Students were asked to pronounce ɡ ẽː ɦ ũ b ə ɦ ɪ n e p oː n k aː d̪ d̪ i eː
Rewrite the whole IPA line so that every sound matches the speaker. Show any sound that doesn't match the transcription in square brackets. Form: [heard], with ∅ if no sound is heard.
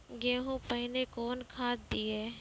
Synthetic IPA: ɡ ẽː ɦ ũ [p] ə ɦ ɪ n e [k] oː n [kʰ] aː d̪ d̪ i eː